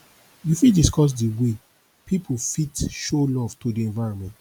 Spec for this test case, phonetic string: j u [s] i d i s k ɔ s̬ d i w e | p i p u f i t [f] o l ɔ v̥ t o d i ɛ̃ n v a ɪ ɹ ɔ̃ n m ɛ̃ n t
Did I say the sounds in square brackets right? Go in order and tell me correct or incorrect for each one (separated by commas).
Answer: incorrect, incorrect